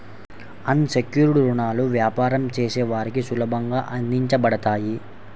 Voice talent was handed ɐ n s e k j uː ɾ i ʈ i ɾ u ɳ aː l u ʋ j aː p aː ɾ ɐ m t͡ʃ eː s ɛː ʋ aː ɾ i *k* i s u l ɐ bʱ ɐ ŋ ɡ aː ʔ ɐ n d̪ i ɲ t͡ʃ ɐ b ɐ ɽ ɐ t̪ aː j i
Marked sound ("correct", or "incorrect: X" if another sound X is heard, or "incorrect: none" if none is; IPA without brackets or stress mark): correct